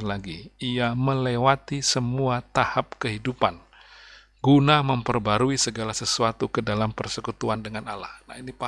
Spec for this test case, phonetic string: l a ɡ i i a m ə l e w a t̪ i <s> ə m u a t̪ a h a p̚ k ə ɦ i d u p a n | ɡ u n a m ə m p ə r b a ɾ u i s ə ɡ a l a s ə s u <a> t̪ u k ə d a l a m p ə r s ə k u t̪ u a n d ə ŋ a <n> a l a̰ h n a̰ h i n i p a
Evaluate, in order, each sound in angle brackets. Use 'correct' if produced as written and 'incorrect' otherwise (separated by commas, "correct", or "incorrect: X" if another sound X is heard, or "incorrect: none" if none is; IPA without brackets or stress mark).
correct, correct, correct